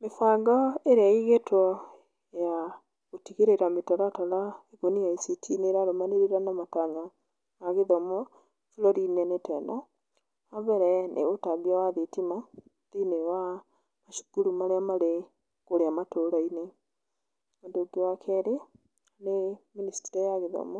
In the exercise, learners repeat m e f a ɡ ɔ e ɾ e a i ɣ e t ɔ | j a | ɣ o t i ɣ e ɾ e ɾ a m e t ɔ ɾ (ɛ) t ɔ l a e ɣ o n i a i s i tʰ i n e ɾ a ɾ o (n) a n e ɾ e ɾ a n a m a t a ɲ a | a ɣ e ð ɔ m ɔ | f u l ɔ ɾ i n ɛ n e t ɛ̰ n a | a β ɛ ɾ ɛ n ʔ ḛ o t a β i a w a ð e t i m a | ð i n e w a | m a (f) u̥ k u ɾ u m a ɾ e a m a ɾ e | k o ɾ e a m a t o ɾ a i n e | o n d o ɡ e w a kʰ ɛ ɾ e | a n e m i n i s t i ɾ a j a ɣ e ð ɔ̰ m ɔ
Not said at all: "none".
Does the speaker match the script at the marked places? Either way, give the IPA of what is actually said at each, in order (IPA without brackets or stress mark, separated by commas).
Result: a, m, ʃ